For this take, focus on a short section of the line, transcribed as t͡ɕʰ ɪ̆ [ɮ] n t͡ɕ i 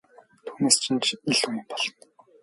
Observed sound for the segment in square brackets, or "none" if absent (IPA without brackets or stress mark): none